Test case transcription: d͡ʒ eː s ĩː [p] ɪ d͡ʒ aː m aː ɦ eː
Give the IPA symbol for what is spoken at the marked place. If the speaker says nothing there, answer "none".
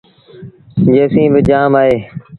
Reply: b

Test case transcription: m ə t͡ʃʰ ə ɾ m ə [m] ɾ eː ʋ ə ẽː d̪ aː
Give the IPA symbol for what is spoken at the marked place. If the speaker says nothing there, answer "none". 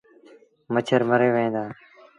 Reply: none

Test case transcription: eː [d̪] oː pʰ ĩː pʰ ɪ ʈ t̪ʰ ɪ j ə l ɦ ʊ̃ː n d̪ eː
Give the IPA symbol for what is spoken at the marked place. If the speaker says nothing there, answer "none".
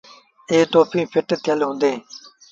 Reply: t̪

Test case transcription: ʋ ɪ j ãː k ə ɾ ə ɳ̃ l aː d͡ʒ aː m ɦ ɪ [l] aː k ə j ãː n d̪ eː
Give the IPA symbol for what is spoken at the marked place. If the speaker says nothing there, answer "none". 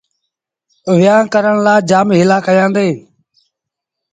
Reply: l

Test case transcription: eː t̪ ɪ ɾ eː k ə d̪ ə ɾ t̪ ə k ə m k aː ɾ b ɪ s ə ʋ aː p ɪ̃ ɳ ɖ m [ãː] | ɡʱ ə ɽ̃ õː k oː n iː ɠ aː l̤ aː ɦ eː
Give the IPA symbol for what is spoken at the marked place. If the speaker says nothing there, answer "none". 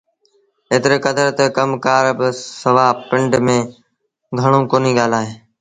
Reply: ẽː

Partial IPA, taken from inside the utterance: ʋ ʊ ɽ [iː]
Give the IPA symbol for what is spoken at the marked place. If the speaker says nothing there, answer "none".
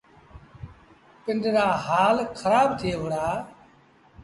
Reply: aː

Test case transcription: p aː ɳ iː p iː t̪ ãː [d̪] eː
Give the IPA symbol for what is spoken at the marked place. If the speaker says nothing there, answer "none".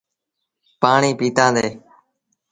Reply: d̪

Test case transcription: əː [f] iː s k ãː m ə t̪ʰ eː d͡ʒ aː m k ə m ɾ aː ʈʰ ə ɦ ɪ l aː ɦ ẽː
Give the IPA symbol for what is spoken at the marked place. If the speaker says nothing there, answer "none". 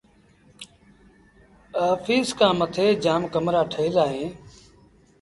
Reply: f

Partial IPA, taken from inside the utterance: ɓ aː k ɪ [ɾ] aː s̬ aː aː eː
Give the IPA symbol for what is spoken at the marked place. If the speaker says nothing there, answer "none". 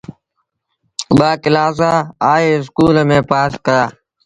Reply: l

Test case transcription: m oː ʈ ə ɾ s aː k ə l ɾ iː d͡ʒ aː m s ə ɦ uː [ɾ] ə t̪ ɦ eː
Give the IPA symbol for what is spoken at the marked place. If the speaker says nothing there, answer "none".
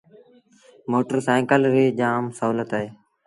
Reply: l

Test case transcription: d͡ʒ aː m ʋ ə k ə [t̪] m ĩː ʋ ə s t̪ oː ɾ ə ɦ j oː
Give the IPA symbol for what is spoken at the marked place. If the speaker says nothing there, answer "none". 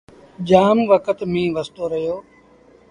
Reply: t̪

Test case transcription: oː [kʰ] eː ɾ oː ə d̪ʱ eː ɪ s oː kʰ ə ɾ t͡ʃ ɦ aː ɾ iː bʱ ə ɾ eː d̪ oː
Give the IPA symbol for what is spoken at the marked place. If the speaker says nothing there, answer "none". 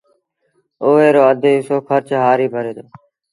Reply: none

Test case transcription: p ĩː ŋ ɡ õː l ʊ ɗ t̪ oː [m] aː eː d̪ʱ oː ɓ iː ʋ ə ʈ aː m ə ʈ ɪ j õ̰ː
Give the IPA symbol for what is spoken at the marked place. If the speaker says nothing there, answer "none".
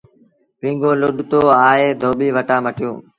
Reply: none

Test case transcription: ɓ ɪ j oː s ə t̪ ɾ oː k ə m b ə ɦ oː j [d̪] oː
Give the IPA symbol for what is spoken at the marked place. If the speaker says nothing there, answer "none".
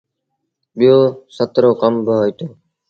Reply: t̪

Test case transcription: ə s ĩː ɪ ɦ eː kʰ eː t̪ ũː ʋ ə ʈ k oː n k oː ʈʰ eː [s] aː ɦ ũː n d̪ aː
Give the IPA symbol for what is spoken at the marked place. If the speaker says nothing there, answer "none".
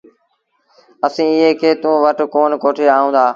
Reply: none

